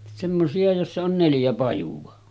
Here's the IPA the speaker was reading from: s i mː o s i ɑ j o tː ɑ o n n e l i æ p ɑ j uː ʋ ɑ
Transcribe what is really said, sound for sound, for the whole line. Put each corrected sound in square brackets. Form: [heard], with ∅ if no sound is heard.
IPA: s [e] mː o s i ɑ j o [sː] ɑ o n n e l [j] æ p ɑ j [u] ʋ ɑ